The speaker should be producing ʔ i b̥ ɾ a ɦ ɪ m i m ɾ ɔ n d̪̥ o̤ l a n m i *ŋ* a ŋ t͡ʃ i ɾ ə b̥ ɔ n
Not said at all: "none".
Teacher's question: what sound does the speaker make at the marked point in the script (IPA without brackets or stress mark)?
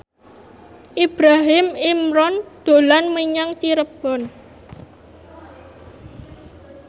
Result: ɲ